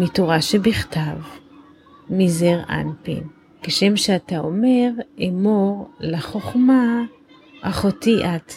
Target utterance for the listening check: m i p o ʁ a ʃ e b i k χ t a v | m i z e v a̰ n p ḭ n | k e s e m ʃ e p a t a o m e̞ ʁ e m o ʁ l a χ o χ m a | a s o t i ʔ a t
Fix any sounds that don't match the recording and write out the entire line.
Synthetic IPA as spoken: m i t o ʁ a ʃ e b i χ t a v | m i z e ʁ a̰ n p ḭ n | k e ʃ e m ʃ e a t a o m e̞ ʁ e m o ʁ l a χ o χ m a | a χ o t i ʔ a t